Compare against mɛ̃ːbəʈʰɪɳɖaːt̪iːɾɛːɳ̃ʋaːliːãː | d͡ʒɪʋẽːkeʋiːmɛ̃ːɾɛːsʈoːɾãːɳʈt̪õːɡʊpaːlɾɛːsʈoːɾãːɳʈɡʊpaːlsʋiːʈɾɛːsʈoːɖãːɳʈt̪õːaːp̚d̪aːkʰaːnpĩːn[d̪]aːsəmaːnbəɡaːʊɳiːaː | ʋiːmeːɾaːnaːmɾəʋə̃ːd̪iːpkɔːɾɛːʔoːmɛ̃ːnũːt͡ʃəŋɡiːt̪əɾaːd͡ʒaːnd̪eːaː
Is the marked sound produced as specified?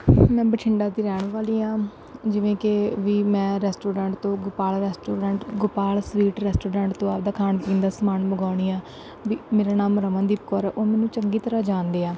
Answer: yes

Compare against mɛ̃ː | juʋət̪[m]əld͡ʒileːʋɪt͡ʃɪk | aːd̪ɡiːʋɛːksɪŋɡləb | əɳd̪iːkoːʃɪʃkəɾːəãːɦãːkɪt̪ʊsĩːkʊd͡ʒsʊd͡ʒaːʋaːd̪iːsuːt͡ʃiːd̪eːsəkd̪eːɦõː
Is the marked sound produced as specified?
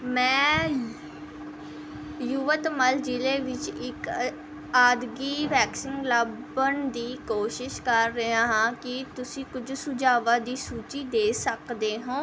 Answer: yes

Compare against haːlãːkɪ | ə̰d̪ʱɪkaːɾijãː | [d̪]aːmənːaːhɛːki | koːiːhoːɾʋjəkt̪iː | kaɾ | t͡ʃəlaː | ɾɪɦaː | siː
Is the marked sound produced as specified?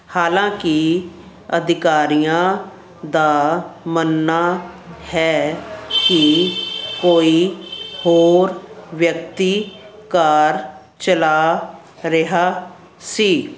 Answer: yes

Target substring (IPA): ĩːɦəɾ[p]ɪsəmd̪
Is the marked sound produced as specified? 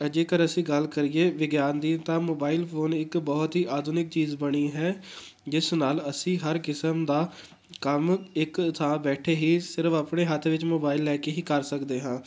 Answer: no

